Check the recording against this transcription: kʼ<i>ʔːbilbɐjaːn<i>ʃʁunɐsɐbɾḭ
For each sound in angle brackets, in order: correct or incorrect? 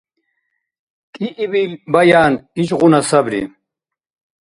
correct, correct

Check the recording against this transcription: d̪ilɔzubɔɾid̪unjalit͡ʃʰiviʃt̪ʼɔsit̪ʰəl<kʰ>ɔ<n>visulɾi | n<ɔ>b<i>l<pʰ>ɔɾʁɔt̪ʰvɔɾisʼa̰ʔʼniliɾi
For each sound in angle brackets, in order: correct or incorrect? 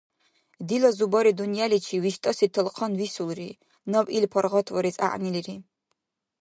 incorrect: qʰ, correct, correct, correct, correct

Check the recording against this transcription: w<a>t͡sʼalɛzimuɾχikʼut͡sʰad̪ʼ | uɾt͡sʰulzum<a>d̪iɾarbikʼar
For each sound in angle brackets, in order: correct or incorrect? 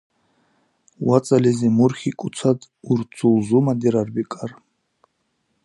correct, correct

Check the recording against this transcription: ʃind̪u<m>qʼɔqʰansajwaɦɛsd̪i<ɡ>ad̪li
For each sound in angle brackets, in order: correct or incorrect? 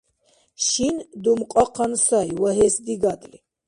correct, correct

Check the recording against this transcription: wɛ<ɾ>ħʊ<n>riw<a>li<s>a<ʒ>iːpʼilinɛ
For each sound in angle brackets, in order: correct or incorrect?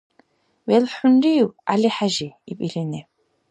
incorrect: l, correct, correct, incorrect: ħ, correct

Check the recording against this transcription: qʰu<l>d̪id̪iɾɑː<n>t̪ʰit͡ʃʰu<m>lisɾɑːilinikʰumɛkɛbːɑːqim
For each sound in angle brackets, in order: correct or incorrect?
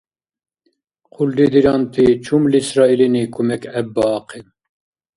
correct, correct, correct

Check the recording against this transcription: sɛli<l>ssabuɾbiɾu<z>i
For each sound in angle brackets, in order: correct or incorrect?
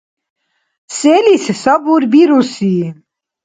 incorrect: none, incorrect: s

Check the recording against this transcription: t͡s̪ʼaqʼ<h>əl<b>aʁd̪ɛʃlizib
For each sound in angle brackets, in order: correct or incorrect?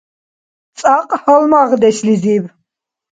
correct, incorrect: m

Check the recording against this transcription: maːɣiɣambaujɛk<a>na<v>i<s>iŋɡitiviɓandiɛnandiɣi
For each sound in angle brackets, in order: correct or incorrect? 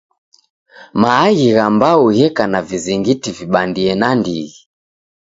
correct, correct, incorrect: z

